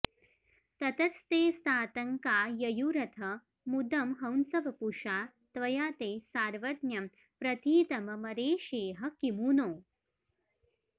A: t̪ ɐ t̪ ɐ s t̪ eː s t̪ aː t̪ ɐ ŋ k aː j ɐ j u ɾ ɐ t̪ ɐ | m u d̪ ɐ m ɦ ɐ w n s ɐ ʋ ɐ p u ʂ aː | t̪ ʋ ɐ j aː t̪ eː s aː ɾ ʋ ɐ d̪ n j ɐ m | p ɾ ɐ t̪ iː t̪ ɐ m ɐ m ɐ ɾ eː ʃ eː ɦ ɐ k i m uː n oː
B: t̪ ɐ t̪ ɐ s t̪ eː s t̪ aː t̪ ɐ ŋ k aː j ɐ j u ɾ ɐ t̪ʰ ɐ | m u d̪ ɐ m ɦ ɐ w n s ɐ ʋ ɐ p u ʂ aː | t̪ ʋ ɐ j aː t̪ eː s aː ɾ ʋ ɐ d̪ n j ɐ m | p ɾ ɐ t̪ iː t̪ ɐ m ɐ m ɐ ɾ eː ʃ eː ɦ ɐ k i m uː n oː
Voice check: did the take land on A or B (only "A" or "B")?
B